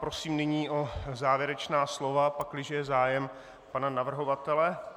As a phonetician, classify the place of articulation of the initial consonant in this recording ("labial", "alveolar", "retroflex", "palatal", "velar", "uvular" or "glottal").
labial